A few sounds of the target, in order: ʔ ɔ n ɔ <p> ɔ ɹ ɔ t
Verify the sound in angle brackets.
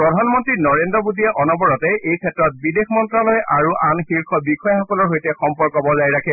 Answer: incorrect: b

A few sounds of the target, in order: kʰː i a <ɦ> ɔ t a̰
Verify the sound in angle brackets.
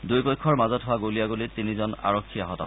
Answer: correct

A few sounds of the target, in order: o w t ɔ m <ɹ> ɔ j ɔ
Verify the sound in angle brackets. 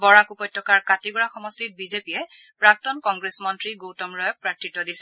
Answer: correct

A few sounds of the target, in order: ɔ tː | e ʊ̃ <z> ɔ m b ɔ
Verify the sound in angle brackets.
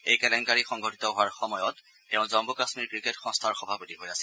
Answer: correct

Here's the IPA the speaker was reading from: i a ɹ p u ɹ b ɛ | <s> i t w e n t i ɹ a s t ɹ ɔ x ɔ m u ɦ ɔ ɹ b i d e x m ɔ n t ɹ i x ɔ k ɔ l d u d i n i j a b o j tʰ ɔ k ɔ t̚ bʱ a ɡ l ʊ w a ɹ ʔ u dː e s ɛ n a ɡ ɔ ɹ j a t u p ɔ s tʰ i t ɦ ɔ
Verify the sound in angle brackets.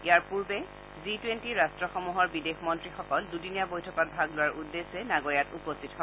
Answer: incorrect: z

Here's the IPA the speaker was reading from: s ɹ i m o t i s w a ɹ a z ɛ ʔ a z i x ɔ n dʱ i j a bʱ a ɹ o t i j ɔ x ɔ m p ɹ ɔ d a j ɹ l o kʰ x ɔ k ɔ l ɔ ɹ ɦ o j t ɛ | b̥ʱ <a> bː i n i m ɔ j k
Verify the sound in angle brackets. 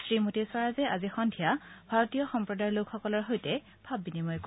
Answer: correct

